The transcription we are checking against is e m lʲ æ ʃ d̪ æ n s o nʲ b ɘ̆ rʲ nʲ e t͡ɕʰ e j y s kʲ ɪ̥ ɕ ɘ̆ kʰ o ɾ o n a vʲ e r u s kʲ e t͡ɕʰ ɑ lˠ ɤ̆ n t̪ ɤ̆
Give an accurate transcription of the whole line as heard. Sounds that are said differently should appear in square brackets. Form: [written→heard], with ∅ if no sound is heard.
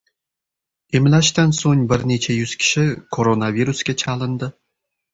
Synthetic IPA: e m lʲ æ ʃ [d̪→t̪] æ n s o nʲ b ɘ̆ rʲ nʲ e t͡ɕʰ e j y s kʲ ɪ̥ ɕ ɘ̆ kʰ o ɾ o n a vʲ [e→i] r u s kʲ e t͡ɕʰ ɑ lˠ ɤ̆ n [t̪→d̪] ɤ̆